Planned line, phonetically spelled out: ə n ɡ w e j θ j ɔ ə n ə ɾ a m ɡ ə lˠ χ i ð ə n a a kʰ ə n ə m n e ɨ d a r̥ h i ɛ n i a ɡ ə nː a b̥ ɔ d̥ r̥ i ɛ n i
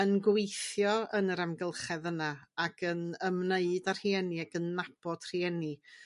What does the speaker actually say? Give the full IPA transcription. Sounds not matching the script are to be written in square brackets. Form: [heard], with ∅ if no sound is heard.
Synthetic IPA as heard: ə n ɡ w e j θ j ɔ ə n ə ɾ a m ɡ ə lˠ χ [ɛ] ð ə n a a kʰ ə n ə m n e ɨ d a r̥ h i ɛ n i a ɡ ə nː a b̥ ɔ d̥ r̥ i ɛ n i

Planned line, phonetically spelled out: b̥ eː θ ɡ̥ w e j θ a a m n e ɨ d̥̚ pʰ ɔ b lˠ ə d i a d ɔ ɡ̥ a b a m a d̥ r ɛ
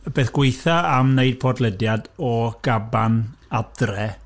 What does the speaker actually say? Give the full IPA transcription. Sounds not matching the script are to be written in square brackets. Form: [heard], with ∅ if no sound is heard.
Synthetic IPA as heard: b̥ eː θ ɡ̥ w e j θ a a m n e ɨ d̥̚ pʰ ɔ [d] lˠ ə d [j] a d ɔ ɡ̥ a b a [n] a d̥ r ɛ

